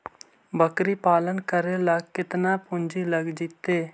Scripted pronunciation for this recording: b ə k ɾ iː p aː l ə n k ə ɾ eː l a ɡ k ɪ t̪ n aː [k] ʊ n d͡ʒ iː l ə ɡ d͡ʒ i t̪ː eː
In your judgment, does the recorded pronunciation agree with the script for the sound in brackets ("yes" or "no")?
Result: no